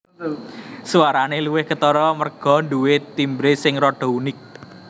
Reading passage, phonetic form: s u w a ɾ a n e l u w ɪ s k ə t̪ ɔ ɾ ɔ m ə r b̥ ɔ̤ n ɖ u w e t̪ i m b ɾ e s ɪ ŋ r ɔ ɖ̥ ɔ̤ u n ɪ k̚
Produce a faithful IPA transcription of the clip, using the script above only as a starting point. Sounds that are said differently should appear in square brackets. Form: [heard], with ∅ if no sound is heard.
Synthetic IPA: s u w a ɾ a n e l u w ɪ [h] k ə t̪ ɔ ɾ ɔ m ə r [ɡ̥] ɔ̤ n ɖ u w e t̪ i m b ɾ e s ɪ ŋ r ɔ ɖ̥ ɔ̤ u n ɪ k̚